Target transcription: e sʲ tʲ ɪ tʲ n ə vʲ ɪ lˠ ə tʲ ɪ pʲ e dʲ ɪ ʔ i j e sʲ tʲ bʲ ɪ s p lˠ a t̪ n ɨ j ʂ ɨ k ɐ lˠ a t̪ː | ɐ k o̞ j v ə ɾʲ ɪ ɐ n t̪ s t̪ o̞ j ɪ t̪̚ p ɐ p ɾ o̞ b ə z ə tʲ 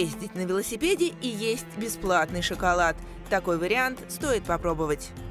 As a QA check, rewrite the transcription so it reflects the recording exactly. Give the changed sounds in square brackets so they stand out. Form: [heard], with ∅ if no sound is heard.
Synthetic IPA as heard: e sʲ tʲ ɪ tʲ n ə vʲ ɪ lˠ ə [sʲ] ɪ pʲ e dʲ ɪ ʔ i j e sʲ tʲ bʲ ɪ s p lˠ a t̪ n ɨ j ʂ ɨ k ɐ lˠ a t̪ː | ɐ k o̞ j v ə ɾʲ ɪ [a] n t̪ s t̪ o̞ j ɪ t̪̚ p ɐ p ɾ o̞ b ə [v] ə tʲ